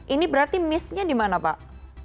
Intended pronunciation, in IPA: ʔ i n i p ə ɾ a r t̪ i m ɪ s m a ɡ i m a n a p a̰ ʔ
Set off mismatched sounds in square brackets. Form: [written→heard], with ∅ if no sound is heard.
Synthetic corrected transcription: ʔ i n i [p→b] ə ɾ a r t̪ i m ɪ s [m→ɲ] a [ɡ→d] i m a n a p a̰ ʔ